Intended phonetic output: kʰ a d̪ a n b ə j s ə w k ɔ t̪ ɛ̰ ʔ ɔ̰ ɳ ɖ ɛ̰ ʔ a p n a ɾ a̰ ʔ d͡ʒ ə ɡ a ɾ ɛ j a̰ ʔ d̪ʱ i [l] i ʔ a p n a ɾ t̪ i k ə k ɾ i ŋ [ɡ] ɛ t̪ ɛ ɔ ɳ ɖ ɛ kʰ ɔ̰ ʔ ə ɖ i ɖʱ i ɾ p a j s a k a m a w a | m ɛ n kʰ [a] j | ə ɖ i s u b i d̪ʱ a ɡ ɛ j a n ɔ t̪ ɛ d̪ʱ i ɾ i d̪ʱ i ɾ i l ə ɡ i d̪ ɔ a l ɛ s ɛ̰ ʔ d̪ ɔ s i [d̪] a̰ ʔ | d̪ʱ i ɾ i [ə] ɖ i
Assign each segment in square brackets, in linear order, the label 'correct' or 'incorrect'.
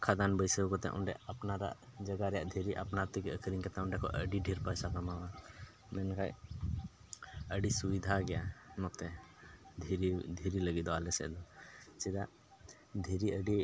incorrect: ɾ, incorrect: k, correct, correct, correct

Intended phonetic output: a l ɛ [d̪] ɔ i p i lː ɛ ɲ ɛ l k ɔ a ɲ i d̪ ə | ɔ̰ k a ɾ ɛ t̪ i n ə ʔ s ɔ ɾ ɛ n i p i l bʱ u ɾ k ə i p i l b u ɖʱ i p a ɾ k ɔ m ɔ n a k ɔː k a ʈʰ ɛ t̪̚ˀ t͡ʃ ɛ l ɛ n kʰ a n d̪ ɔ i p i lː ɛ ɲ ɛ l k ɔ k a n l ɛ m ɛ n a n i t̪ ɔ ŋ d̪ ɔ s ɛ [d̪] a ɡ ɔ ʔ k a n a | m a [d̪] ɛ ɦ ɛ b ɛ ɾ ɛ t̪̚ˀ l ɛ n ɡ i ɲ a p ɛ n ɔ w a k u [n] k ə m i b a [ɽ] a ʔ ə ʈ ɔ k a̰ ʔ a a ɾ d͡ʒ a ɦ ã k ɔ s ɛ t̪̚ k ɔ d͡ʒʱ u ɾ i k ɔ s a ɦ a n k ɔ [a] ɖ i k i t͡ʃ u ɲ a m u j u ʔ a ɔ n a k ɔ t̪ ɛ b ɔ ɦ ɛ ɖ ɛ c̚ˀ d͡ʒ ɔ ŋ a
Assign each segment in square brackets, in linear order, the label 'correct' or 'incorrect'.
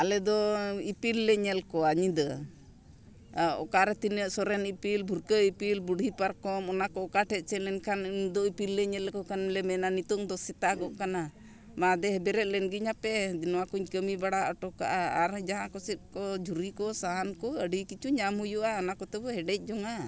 correct, incorrect: t̪, correct, incorrect: ɲ, correct, incorrect: ə

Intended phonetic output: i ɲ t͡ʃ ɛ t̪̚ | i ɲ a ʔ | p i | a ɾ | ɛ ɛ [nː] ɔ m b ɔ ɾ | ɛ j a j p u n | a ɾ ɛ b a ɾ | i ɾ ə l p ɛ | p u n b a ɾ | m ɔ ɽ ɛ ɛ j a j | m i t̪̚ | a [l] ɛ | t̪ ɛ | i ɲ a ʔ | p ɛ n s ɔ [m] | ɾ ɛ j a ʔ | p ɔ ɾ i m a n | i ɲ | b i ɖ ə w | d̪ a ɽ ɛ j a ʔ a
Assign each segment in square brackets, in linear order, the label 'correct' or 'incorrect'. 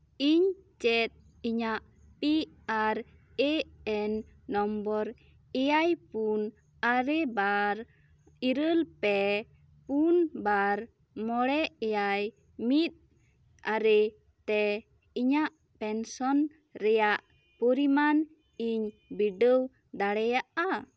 correct, incorrect: ɾ, incorrect: n

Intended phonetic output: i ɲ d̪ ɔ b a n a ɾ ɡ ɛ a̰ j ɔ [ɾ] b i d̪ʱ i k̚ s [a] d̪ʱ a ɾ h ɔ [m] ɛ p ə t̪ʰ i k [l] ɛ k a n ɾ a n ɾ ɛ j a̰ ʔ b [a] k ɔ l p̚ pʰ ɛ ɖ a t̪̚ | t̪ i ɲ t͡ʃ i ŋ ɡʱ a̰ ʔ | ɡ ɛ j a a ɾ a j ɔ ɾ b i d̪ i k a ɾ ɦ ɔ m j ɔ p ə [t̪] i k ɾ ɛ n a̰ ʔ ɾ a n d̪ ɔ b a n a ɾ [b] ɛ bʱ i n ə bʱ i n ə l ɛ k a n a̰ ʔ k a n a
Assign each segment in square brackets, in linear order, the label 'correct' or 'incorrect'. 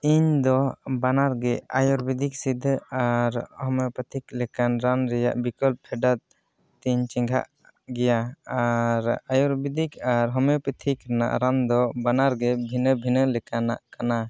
correct, incorrect: i, correct, correct, incorrect: i, incorrect: t̪ʰ, incorrect: ɡ

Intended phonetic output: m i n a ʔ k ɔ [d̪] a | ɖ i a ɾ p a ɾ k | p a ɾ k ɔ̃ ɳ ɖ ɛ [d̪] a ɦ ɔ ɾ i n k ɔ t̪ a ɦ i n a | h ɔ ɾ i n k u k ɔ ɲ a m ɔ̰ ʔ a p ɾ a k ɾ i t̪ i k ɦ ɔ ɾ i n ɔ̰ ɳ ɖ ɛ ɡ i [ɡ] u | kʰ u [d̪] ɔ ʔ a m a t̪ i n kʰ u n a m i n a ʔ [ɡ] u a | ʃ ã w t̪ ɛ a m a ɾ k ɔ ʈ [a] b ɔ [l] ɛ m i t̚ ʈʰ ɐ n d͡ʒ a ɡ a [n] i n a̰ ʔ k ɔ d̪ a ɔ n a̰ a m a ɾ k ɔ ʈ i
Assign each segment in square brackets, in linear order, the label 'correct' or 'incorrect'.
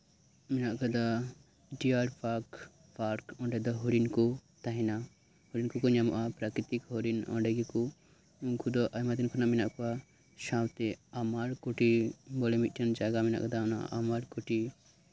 correct, correct, incorrect: k, correct, incorrect: k, incorrect: i, correct, incorrect: m

